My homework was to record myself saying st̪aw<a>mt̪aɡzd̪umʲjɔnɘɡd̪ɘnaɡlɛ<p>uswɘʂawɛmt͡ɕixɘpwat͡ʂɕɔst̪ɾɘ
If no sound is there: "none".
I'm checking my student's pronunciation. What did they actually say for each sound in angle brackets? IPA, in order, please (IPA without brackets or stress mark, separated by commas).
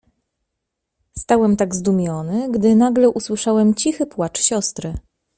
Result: ɛ, ʔ